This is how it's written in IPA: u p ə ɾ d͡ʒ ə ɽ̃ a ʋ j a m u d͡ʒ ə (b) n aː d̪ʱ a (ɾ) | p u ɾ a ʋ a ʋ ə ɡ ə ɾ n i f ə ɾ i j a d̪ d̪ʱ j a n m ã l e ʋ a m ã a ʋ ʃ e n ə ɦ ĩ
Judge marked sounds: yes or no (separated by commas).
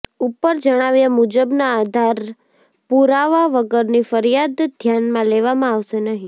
yes, yes